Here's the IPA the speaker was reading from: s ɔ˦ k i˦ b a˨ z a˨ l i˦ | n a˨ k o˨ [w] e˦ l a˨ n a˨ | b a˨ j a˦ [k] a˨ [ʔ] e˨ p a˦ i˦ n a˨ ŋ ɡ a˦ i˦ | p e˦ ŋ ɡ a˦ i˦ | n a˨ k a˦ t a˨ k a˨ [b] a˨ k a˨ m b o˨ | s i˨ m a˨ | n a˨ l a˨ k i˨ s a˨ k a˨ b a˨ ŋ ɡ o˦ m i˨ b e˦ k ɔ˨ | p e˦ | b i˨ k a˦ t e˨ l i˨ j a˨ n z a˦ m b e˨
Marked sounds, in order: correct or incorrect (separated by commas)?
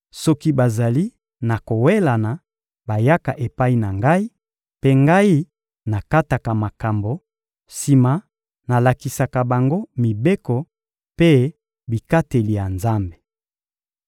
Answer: correct, correct, correct, incorrect